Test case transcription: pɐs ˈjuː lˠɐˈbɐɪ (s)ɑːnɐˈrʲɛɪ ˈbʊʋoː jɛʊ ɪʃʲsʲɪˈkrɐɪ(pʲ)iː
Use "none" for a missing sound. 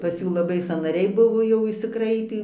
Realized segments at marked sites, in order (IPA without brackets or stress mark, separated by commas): s, pʲ